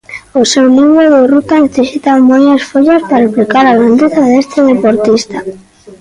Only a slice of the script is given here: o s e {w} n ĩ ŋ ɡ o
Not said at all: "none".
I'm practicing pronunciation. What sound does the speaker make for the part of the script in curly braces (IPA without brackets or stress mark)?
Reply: w